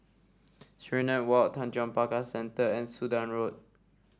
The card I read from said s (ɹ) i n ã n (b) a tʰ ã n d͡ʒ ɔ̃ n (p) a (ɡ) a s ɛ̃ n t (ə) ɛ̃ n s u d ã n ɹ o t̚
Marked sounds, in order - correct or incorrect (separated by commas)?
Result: correct, incorrect, correct, incorrect, correct